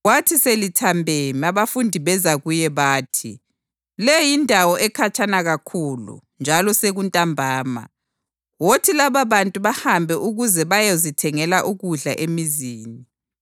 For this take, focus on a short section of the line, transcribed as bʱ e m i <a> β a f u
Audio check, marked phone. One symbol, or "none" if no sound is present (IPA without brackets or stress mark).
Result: a